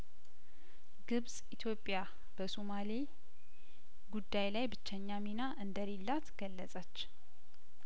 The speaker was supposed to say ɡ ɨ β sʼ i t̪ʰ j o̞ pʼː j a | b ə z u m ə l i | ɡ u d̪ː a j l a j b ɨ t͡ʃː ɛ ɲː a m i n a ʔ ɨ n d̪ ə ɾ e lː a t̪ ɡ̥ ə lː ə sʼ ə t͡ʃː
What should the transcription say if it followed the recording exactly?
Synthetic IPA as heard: ɡ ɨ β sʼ i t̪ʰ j o̞ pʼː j a | b ə s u m a l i | ɡ u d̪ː a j l a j b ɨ t͡ʃː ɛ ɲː a m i n a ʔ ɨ n d̪ ə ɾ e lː a t̪ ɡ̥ ə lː ə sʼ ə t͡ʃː